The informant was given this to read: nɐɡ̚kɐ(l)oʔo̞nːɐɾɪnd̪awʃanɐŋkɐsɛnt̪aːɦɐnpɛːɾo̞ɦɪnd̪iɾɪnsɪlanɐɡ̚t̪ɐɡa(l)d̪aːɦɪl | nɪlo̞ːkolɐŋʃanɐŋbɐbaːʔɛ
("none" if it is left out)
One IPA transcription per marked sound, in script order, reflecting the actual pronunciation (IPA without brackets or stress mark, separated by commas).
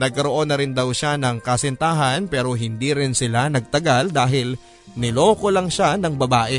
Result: ɾ, l